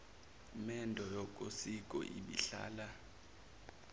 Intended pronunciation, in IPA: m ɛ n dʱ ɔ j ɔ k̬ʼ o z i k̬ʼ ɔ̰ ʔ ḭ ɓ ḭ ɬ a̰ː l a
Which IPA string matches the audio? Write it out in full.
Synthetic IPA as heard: m ɛ n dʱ ɔ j ɔ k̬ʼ o s i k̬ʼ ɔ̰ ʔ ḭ ɓ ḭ ɬ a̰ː l a